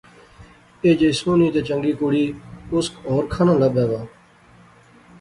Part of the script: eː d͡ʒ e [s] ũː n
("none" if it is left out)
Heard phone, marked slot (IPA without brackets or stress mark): s